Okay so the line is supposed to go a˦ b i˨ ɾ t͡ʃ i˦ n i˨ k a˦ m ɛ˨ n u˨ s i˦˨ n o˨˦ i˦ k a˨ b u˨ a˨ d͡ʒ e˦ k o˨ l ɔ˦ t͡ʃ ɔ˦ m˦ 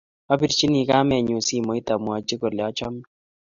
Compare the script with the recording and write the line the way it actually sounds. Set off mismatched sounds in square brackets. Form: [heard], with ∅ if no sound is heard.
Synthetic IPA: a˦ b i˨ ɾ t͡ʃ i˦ n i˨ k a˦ m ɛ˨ [ɲ] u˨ s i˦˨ [m] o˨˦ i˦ [t] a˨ [m] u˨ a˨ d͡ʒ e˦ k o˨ l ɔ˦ t͡ʃ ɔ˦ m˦